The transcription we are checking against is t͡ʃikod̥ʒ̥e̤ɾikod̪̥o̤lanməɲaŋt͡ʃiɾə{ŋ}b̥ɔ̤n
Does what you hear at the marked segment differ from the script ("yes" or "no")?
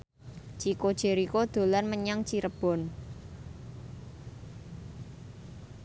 yes